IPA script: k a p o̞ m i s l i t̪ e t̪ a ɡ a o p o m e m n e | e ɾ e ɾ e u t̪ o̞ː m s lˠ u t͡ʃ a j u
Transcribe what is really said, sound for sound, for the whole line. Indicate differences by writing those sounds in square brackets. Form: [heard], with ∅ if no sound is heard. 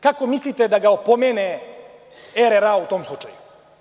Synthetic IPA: k a [k] o̞ m i s l i t̪ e [d̪] a ɡ a o p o m e [∅] n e | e ɾ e ɾ [a] u t̪ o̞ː m s lˠ u t͡ʃ a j u